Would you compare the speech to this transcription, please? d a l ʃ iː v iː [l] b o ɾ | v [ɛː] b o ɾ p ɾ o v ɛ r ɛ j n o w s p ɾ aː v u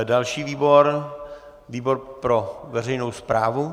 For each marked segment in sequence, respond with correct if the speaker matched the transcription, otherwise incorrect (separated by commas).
incorrect, incorrect